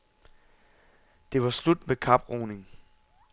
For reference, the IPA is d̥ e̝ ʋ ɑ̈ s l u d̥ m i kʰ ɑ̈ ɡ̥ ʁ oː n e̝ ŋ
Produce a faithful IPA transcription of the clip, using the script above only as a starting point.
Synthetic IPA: d̥ e̝ ʋ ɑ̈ s l u d̥ m e kʰ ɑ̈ b̥ ʁ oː n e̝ ŋ